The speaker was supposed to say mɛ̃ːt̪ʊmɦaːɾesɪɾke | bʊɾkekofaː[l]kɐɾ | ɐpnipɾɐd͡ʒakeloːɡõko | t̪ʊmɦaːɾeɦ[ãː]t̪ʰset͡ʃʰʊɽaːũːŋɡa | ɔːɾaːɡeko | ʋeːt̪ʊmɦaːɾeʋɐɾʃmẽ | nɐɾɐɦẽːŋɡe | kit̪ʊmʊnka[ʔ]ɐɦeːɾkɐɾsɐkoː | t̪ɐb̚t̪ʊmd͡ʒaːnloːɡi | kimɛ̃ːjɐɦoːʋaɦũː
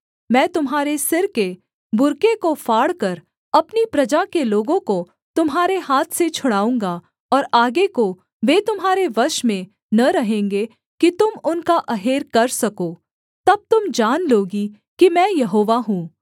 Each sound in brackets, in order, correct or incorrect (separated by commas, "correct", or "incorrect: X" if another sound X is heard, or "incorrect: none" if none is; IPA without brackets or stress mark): incorrect: ɽ, incorrect: aː, correct